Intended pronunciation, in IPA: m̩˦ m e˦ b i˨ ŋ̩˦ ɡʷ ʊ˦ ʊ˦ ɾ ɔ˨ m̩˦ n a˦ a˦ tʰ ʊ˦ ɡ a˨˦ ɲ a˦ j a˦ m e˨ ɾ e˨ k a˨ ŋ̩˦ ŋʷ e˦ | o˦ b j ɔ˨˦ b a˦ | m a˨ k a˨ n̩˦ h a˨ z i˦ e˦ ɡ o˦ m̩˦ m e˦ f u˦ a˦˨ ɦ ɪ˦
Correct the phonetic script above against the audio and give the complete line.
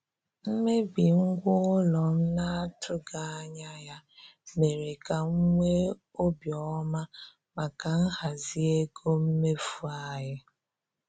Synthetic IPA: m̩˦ m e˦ b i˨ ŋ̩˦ ɡʷ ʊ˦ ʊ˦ l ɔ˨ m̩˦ n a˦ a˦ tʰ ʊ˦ ɡ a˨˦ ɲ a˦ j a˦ m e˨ ɾ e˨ k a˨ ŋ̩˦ ŋʷ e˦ | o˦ b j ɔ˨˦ m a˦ | m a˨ k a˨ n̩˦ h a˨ z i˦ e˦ ɡ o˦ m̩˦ m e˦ f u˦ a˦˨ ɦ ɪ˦